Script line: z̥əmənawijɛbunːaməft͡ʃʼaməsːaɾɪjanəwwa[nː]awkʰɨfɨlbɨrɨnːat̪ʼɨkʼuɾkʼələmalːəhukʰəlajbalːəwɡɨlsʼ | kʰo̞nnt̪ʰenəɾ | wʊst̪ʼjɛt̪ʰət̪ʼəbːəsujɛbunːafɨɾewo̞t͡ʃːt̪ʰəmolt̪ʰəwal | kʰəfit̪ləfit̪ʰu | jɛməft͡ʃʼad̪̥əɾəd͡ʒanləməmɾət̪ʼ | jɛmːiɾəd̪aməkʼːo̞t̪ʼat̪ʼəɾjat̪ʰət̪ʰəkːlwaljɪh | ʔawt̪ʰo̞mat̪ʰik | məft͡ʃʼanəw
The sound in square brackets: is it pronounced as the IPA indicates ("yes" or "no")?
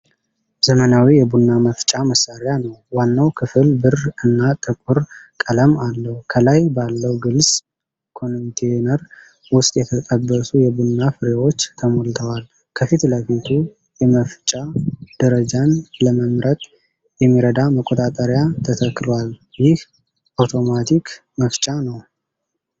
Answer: yes